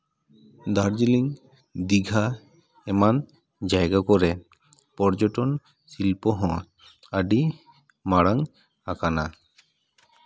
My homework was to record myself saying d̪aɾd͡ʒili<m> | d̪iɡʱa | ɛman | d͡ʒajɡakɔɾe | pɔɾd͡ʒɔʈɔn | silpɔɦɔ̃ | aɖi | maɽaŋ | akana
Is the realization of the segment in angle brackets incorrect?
yes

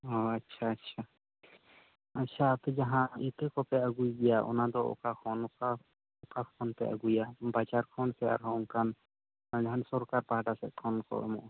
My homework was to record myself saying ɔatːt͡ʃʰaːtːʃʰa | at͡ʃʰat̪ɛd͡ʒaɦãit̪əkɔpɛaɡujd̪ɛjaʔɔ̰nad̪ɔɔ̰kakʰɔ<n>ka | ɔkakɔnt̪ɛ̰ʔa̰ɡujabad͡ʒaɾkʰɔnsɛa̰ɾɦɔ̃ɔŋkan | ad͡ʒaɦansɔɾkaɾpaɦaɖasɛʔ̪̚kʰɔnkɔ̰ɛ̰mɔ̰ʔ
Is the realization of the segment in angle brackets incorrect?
no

